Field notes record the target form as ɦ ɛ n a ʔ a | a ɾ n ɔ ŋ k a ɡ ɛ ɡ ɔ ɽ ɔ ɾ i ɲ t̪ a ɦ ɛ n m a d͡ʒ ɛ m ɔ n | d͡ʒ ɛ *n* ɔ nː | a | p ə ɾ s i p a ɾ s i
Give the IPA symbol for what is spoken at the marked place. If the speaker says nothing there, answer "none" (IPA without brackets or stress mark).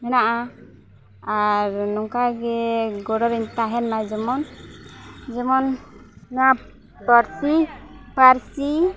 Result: m